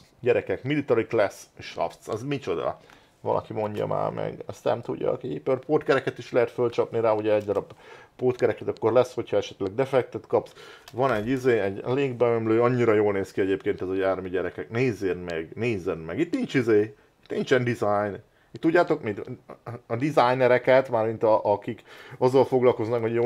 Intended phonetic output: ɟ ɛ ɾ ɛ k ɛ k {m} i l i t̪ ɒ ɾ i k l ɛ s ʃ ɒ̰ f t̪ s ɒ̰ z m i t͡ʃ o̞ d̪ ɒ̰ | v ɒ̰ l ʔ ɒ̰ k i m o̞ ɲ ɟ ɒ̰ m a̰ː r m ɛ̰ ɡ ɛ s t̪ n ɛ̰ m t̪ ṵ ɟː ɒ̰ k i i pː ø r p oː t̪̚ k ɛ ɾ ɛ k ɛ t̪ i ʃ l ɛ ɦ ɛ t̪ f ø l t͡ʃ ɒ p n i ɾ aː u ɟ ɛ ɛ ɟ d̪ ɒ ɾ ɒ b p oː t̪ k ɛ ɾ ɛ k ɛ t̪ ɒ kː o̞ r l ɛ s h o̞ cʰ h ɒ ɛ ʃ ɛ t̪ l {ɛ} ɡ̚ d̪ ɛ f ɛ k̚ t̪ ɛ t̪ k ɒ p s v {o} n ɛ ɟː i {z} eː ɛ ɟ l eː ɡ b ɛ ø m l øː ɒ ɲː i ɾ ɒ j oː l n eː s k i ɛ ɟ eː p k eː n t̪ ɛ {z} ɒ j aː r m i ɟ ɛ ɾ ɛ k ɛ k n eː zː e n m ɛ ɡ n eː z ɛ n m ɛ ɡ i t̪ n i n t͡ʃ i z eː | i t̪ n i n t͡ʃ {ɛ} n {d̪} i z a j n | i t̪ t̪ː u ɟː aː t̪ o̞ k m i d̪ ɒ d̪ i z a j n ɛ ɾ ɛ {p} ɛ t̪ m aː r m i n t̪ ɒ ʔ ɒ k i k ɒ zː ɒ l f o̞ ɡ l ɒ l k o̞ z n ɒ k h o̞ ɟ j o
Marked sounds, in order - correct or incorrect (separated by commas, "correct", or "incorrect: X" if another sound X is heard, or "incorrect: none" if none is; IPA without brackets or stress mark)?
correct, correct, incorrect: ɒ, correct, correct, correct, correct, incorrect: k